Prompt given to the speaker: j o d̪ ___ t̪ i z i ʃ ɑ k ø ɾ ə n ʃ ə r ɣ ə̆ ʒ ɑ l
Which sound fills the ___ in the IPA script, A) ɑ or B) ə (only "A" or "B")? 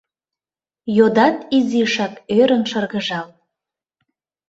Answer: A